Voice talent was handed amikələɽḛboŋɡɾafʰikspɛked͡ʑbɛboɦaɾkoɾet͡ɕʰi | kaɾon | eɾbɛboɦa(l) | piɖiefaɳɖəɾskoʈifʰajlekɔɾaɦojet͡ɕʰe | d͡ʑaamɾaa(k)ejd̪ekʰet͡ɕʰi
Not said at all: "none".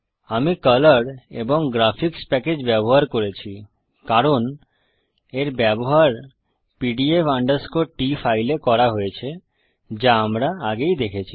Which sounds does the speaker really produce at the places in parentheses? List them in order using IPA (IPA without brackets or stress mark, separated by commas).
ɾ, ɡ